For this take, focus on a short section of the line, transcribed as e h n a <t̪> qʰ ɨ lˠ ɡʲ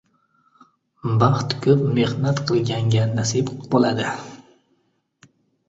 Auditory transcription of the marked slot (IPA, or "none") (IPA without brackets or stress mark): t̪